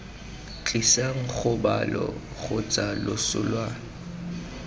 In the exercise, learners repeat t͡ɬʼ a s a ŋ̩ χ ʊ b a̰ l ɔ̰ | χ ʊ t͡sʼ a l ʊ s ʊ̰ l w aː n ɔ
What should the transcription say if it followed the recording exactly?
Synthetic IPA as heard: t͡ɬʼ i s a ŋ̩ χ ʊ b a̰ l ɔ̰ | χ ʊ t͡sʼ a l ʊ s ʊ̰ l w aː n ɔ